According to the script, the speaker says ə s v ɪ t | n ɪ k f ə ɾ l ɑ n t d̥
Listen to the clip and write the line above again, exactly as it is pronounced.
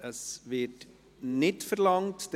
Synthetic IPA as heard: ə s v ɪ t | n ɪ t f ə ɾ l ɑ ŋ t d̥